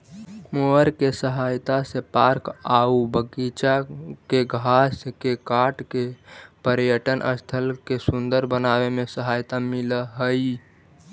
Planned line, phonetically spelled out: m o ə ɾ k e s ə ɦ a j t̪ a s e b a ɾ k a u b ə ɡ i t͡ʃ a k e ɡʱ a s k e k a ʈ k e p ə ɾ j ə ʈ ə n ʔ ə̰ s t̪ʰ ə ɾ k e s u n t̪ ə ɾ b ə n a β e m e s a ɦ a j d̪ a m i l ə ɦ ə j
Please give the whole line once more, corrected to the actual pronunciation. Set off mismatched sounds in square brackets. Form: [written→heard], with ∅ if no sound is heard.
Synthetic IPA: m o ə ɾ k e s ə ɦ a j t̪ a s e [b→p] a ɾ k a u b ə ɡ i t͡ʃ a k e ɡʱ a s k e k a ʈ k e p ə ɾ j ə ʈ ə n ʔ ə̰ s t̪ʰ ə [ɾ→l] k e s u n [t̪→d̪] ə ɾ b ə n a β e m e s [a→ə] ɦ a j [d̪→t̪] a m i l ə ɦ ə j

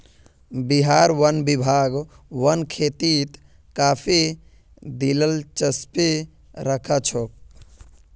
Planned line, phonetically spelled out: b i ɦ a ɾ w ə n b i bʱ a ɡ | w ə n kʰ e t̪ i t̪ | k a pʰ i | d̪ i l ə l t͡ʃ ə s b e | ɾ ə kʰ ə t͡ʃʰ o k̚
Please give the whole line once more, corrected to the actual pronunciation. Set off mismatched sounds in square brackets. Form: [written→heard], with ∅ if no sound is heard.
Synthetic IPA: b i ɦ a ɾ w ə n b i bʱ a ɡ | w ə n kʰ e t̪ i t̪ | k a pʰ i | d̪ i l ə l t͡ʃ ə s [b→p] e | ɾ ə kʰ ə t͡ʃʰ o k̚

